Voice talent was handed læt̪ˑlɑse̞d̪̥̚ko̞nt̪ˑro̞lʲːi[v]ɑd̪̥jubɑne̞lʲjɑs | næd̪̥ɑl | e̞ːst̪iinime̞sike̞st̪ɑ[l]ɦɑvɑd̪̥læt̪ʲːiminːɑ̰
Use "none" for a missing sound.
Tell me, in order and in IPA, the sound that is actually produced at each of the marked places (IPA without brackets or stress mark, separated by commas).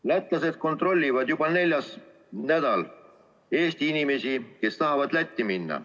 v, none